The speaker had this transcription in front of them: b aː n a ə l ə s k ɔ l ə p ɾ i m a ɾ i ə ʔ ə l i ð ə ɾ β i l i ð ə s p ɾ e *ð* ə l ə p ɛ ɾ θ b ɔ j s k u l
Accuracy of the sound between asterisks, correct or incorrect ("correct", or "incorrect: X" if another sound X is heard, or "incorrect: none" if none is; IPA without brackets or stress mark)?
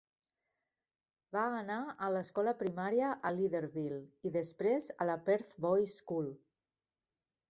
incorrect: z